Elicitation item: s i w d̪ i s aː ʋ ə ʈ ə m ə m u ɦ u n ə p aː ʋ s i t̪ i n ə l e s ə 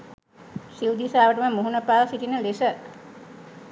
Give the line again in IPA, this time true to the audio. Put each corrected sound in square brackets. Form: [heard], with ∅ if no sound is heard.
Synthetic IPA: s i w d̪ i s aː ʋ ə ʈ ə m ə m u ɦ u n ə p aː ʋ s i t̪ i n ə l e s ə